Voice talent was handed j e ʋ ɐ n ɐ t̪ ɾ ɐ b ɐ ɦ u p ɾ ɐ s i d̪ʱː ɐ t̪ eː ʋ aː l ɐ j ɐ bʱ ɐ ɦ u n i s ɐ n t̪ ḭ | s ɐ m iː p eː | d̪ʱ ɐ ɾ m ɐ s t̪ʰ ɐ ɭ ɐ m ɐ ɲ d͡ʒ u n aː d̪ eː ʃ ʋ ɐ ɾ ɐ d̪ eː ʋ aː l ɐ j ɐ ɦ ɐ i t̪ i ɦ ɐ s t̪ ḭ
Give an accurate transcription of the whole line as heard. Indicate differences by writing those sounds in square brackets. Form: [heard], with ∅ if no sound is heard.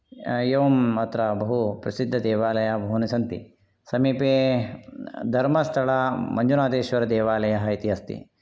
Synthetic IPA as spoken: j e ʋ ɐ [m] ɐ t̪ ɾ ɐ b ɐ ɦ u p ɾ ɐ s i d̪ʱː ɐ [d̪] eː ʋ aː l ɐ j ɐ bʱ ɐ ɦ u n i s ɐ n t̪ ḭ | s ɐ m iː p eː | d̪ʱ ɐ ɾ m ɐ s t̪ʰ ɐ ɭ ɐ m ɐ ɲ d͡ʒ u n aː d̪ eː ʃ ʋ ɐ ɾ ɐ d̪ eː ʋ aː l ɐ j ɐ ɦ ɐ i t̪ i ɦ ɐ s t̪ ḭ